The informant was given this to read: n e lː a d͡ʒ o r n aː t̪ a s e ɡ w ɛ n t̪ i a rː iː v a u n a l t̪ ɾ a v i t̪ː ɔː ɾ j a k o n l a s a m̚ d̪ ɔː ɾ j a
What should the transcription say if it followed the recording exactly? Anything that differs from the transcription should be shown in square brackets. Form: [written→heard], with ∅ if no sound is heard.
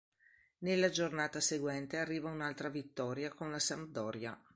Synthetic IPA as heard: n e lː a d͡ʒ o r n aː t̪ a s e ɡ w ɛ n t̪ [i→e] a rː iː v a u n a l t̪ ɾ a v i t̪ː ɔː ɾ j a k o n l a s a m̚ d̪ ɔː ɾ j a

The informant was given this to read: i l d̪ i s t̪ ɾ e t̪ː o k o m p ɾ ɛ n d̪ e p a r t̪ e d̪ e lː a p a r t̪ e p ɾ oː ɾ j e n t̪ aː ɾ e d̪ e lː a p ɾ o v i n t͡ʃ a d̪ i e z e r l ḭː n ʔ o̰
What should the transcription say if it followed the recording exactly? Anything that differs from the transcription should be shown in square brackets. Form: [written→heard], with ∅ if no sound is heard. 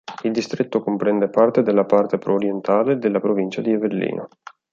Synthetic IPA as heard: i l d̪ i s t̪ ɾ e t̪ː o k o m p ɾ ɛ n d̪ e p a r t̪ e d̪ e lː a p a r t̪ e p ɾ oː ɾ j e n t̪ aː [ɾ→l] e d̪ e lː a p ɾ o v i n t͡ʃ a d̪ i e [z→v] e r l ḭː n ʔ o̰

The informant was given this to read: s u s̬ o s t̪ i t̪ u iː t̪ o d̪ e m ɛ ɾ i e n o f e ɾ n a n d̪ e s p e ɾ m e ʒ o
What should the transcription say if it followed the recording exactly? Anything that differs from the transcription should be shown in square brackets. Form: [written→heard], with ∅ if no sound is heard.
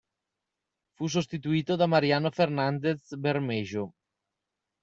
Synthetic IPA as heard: [s→f] u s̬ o s t̪ i t̪ u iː t̪ o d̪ [e→a] m [ɛ→a] ɾ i [e→a] n o f e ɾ n a n d̪ e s [p→b] e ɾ m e ʒ o

